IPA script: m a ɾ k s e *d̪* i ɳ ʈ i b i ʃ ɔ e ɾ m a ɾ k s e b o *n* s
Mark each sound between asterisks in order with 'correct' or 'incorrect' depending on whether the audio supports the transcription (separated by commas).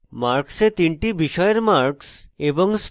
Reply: incorrect, incorrect